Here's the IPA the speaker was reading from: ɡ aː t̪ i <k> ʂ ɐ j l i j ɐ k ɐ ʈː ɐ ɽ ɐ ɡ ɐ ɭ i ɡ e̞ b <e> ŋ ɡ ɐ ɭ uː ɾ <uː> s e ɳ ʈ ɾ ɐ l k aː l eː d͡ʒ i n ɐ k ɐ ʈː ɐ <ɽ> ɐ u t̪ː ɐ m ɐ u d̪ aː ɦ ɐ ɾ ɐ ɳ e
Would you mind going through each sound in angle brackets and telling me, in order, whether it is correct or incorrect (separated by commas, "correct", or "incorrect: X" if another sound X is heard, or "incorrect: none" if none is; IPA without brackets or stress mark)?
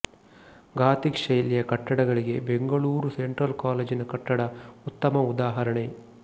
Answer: correct, correct, incorrect: u, correct